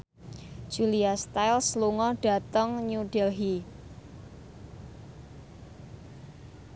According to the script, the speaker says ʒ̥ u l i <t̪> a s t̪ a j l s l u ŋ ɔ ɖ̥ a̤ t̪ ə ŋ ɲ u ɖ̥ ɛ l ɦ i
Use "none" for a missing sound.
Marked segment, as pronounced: none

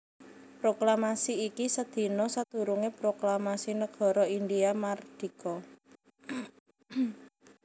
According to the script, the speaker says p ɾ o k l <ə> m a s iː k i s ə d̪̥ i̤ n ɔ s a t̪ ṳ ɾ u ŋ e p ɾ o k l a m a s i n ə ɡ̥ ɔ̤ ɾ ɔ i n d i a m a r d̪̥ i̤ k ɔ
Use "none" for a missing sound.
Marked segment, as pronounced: a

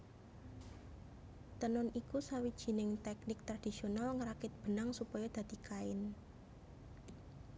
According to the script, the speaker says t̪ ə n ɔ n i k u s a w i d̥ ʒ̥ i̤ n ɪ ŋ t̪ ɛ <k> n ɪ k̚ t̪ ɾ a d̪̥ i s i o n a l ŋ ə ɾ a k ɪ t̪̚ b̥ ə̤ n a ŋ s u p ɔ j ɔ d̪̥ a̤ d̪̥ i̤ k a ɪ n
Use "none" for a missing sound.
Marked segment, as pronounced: k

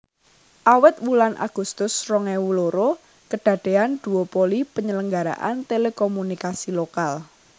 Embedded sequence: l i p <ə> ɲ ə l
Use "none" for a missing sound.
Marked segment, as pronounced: ə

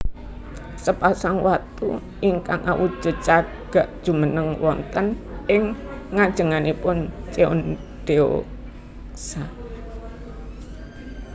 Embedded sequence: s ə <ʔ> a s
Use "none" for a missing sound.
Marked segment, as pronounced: p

